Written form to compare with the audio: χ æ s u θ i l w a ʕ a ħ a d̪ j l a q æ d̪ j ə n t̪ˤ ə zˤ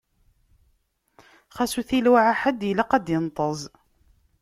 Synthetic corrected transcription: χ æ s u θ i l w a ʕ a ħ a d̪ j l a q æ d̪ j ə n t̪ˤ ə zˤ